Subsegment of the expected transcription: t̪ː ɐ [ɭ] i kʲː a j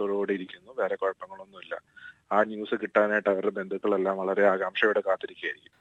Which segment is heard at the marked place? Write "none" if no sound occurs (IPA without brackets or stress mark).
ɾ